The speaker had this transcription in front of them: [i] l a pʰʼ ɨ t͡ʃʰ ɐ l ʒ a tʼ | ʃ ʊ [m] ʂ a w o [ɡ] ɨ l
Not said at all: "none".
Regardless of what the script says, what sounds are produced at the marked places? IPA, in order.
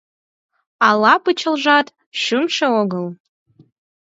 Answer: a, m, ɡ

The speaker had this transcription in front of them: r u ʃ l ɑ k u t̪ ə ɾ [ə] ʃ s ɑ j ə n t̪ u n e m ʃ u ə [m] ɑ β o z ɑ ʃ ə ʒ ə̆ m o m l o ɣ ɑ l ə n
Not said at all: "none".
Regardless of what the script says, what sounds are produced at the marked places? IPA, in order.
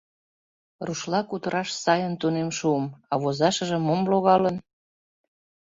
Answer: ɑ, m

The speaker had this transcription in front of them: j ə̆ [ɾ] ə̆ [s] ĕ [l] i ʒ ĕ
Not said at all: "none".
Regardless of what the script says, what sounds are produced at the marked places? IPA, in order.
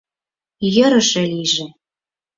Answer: ɾ, ʃ, l

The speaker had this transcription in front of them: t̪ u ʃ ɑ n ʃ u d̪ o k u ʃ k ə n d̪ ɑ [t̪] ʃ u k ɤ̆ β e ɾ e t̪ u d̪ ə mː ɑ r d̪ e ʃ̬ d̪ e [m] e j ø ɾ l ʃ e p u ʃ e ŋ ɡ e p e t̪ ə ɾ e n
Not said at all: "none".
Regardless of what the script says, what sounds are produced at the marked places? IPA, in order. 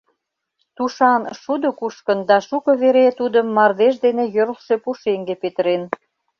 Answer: none, n

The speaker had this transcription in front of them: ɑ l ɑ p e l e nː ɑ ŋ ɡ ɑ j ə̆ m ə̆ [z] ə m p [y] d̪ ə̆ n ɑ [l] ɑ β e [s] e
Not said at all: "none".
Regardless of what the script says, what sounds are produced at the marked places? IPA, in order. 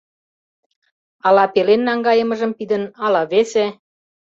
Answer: ʒ, i, l, s

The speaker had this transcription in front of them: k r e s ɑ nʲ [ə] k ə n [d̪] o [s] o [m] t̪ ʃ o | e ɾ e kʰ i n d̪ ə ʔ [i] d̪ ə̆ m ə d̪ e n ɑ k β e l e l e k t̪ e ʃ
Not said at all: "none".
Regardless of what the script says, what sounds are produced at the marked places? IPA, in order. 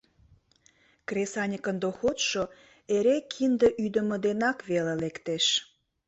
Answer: ə, d̪, x, none, y

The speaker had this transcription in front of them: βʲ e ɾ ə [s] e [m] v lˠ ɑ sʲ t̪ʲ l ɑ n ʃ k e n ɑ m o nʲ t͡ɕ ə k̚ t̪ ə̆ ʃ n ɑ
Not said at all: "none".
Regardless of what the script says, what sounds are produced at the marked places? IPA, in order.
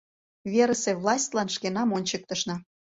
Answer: s, none

